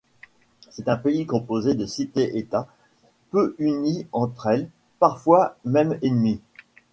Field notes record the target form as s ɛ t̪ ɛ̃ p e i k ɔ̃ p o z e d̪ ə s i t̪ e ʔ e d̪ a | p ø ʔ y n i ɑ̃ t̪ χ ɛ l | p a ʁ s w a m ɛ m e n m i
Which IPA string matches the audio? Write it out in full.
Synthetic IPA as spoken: s ɛ t̪ ɛ̃ p e i k ɔ̃ p o z e d̪ ə s i t̪ e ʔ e t̪ a | p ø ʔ y n i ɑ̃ t̪ χ ɛ l | p a ʁ f w a m ɛ m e n m i